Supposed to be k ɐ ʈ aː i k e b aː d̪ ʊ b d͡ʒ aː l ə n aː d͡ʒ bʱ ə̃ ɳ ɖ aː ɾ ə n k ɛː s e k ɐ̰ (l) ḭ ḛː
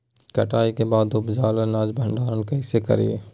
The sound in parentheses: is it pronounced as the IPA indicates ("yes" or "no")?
no